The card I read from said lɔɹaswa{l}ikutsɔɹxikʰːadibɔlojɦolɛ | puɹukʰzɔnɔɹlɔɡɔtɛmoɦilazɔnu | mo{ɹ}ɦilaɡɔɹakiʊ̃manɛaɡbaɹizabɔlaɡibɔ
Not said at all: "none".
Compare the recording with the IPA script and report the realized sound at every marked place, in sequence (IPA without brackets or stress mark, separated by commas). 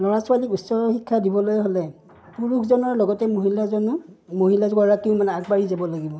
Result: l, none